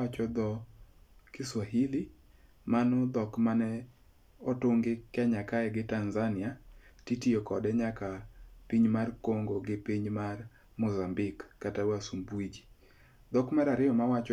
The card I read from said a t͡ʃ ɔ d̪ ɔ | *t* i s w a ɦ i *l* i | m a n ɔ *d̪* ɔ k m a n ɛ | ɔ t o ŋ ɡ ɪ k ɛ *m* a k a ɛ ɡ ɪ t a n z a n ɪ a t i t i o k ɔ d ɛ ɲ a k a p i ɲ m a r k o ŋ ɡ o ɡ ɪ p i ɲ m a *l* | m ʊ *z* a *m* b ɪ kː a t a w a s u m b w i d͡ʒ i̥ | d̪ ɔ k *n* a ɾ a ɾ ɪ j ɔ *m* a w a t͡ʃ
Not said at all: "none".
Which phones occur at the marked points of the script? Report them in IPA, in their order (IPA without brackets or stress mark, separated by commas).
k, l, d̪, ɲ, r, z, m, m, m